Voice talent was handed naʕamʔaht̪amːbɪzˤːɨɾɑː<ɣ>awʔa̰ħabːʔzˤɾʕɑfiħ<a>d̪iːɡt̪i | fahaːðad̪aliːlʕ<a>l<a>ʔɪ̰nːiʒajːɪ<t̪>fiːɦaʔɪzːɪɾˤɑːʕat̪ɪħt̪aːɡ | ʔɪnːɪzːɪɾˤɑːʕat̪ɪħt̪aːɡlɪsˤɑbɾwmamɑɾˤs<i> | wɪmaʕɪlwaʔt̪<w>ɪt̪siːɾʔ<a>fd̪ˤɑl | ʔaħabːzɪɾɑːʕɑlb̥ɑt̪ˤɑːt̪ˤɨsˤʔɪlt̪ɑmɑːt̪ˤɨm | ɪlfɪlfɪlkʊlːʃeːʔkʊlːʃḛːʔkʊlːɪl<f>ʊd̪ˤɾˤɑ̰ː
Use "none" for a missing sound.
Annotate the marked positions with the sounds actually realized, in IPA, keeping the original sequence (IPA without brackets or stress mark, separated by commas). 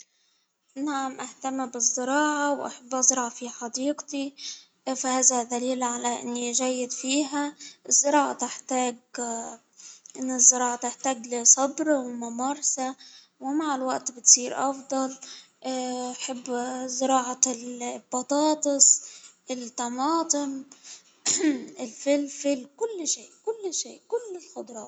ʕ, ɑ, a, a, d̪, a, b, ɑ, x